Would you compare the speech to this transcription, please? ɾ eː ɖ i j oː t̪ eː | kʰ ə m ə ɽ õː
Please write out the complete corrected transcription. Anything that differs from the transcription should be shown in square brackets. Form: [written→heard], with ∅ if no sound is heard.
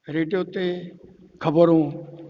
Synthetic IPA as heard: ɾ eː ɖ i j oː t̪ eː | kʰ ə [m→b] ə [ɽ→ɾ] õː